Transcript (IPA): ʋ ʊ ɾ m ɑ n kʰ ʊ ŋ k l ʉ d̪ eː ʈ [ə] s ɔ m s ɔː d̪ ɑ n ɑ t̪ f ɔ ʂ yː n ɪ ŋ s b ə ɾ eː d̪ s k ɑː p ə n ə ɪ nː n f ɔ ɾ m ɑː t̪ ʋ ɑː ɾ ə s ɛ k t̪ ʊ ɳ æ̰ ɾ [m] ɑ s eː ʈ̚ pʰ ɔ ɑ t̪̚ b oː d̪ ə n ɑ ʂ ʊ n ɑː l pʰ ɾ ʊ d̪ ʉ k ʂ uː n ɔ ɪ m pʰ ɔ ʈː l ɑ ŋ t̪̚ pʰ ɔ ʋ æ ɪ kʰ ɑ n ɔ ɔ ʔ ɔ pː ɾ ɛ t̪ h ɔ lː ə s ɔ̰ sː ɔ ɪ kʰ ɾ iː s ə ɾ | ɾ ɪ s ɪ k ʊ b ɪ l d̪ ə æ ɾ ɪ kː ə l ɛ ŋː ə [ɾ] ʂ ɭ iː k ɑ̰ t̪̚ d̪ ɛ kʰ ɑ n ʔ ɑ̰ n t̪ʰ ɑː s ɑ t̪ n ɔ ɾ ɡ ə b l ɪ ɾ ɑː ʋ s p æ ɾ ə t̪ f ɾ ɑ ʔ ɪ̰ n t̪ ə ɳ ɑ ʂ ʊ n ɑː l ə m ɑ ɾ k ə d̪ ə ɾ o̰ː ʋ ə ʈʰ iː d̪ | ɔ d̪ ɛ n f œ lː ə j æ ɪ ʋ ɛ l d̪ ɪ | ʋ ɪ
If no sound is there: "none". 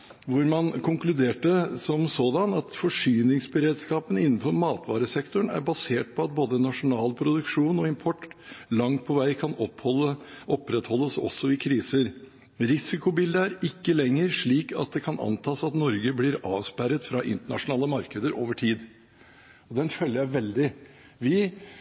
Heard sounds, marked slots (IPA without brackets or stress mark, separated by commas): ə, b, ɾ